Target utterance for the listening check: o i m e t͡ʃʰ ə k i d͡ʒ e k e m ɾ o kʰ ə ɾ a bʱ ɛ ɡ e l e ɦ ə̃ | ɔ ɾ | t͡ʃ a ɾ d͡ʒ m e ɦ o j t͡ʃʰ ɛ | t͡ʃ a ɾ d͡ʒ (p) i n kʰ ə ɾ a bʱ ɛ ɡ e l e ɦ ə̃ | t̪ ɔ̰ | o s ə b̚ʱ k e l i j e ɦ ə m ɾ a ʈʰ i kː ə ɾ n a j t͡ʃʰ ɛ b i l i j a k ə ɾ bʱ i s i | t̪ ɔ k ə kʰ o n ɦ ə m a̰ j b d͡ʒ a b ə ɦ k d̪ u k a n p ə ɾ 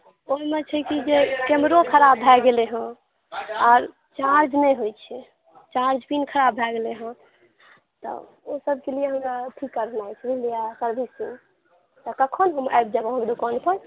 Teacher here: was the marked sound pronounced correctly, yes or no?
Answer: yes